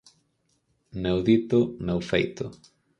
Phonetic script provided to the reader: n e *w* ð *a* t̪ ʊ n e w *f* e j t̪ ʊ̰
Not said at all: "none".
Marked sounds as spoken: w, i, f

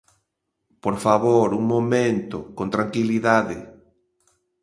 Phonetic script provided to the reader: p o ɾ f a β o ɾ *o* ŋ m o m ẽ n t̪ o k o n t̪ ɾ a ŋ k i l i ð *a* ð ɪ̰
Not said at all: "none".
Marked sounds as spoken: u, a

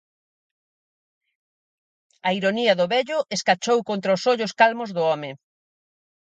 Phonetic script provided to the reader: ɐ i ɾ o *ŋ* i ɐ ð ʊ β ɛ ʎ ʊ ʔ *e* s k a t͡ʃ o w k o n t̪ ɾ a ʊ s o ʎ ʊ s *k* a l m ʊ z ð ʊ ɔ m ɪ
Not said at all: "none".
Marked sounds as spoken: n, e, k

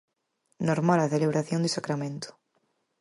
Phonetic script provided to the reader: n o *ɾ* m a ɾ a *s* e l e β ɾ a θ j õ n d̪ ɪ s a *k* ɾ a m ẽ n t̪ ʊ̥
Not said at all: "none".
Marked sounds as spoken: ɾ, θ, k

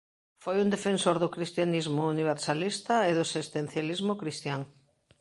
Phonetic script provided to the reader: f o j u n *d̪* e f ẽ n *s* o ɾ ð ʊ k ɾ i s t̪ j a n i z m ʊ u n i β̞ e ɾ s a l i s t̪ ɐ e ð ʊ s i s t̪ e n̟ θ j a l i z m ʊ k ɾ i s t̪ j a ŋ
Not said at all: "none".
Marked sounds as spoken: d̪, s

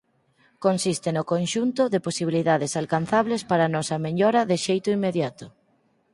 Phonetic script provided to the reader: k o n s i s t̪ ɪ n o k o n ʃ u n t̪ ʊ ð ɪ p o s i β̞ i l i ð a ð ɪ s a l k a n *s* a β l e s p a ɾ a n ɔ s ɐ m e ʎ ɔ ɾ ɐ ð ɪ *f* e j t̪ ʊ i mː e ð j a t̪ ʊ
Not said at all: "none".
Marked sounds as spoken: θ, ʃ

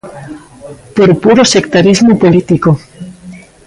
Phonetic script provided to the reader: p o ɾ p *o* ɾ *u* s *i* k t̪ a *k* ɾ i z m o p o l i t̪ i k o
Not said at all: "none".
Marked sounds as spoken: u, o, e, none

